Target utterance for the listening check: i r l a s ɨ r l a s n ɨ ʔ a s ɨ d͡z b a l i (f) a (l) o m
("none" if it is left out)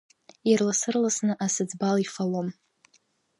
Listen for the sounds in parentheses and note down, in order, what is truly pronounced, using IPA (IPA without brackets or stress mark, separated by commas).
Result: f, l